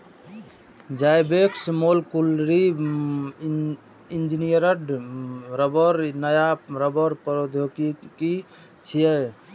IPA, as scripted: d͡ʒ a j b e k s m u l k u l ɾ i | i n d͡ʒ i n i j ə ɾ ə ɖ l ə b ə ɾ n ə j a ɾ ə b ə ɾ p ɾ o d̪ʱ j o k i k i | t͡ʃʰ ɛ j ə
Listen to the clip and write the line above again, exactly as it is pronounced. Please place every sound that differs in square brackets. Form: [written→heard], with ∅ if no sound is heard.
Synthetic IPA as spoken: d͡ʒ a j b e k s m [u→o] l k u l ɾ i | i n d͡ʒ i n i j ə ɾ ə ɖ [l→ɾ] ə b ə ɾ n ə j a ɾ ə b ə ɾ p ɾ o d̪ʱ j o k i k i | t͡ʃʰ [ɛ→i] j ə